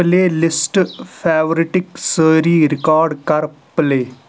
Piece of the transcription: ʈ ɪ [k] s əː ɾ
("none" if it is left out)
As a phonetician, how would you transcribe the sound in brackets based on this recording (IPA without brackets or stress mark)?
k